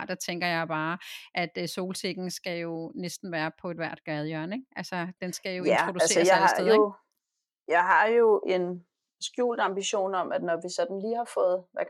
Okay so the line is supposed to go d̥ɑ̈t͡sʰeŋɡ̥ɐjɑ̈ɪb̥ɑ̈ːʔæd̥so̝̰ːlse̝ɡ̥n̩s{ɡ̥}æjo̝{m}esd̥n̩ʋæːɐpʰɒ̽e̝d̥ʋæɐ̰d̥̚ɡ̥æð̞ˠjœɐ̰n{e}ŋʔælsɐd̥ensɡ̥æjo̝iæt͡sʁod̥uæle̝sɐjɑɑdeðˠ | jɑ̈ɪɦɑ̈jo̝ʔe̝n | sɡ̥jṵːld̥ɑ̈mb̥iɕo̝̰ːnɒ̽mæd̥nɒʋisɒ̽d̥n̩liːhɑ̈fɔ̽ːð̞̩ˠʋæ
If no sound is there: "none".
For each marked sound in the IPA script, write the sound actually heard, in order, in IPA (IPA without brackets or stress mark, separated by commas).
ɡ̥, n, e